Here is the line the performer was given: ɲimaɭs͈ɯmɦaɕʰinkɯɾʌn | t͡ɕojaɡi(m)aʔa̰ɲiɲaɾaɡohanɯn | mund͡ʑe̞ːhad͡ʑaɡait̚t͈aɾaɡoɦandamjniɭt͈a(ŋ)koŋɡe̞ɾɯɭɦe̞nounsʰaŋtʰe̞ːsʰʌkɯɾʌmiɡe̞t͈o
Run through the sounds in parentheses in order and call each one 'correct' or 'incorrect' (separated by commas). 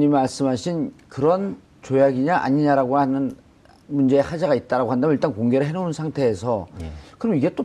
incorrect, incorrect